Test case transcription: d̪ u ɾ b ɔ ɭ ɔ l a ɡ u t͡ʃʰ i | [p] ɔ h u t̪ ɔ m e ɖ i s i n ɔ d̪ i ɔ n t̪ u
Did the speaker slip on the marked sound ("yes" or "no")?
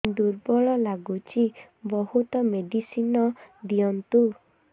yes